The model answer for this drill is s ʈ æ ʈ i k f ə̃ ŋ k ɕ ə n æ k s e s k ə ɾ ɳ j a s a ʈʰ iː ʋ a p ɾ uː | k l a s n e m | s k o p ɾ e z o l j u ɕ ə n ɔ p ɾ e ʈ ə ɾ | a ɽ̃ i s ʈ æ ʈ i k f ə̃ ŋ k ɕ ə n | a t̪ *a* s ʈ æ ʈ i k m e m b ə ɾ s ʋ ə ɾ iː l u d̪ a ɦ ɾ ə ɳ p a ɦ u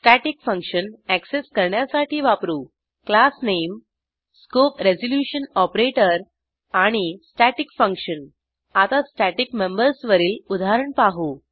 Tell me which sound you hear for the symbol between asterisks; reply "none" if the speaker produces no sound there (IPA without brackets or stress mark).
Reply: a